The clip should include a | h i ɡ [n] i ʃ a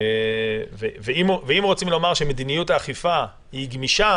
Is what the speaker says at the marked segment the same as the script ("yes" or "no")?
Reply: no